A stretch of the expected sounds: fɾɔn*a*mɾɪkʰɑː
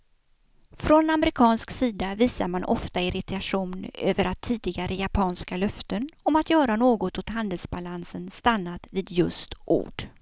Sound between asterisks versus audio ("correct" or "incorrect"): correct